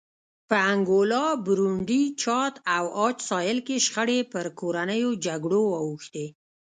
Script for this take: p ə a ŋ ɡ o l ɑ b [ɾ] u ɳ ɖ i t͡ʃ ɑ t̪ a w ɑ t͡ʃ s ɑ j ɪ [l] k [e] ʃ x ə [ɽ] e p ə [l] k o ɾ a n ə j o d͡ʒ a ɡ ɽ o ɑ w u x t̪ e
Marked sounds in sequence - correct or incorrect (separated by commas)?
correct, correct, correct, correct, incorrect